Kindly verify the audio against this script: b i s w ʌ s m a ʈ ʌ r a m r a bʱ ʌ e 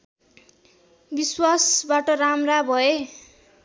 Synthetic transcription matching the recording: b i s w a s b a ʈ ʌ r a m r a bʱ ʌ e